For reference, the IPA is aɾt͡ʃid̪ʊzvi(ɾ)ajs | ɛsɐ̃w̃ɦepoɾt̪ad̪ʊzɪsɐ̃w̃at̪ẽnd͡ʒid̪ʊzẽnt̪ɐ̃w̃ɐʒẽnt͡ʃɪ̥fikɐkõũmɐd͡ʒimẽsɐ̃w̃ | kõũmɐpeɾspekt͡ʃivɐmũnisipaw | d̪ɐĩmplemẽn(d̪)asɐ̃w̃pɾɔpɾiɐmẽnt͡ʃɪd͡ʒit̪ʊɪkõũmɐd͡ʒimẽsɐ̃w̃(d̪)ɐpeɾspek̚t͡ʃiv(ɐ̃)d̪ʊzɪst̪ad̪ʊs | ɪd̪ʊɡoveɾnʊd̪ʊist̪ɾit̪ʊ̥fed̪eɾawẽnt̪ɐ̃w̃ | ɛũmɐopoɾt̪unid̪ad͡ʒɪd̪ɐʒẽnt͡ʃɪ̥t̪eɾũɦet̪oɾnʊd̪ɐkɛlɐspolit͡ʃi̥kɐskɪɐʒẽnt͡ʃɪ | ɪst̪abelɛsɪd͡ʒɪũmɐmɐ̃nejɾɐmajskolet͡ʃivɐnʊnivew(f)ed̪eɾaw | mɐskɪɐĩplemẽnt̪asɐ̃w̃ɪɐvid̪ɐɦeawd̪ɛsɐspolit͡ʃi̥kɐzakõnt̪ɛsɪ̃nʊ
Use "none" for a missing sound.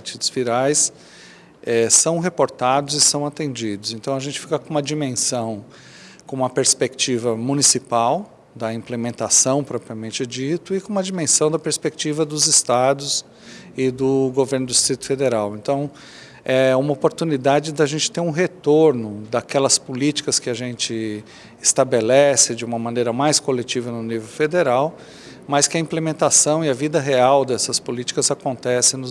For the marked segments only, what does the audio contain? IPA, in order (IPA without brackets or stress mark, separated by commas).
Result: ɾ, t̪, d̪, ɐ, f